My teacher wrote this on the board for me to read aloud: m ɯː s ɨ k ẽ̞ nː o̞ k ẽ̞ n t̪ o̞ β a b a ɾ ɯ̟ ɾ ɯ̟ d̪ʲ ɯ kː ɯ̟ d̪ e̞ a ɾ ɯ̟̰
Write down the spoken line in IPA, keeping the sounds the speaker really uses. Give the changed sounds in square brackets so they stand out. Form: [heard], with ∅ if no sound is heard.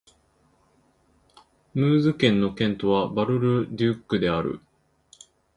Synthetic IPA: m ɯː [z] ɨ k ẽ̞ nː o̞ k ẽ̞ n t̪ o̞ β a b a ɾ ɯ̟ ɾ ɯ̟ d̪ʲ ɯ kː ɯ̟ d̪ e̞ a ɾ ɯ̟̰